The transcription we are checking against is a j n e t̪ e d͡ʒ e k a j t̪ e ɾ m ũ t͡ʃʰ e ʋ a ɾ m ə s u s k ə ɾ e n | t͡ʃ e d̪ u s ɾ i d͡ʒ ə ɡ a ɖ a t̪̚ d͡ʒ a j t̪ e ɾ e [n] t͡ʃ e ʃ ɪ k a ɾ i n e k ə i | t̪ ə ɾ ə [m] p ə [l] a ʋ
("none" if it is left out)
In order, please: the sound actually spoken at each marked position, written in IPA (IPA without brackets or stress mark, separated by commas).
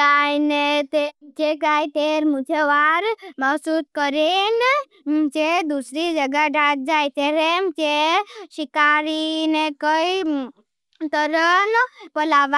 m, n, l